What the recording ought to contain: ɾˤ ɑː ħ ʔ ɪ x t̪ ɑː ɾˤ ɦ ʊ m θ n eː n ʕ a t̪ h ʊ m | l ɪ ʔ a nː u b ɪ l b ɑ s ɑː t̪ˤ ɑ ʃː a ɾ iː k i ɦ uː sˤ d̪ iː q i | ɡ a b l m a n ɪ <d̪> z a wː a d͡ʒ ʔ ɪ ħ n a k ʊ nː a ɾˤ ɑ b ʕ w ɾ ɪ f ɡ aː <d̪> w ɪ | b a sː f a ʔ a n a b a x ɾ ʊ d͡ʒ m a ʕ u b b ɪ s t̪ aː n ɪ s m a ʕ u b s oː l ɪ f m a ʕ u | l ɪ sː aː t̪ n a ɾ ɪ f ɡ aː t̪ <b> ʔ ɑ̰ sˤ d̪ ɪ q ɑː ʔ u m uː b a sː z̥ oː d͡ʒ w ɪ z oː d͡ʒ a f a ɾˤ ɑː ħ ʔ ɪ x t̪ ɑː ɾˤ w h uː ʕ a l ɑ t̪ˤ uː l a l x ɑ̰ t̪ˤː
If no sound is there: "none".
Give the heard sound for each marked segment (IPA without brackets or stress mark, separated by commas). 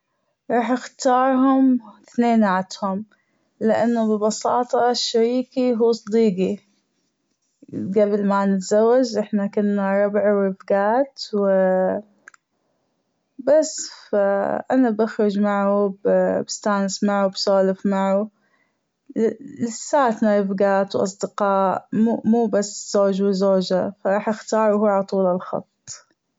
t̪, t̪, w